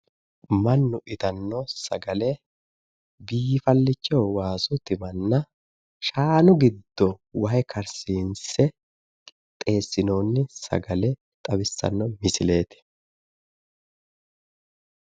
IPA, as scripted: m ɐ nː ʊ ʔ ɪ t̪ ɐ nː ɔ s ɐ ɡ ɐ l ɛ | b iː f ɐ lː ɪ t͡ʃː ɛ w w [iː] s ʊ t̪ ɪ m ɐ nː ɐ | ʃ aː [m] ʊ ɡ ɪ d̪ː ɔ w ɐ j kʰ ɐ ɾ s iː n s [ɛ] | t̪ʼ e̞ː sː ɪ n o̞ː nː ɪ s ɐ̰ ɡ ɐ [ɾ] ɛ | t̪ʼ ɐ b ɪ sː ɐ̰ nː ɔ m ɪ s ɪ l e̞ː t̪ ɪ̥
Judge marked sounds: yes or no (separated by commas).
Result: no, no, yes, no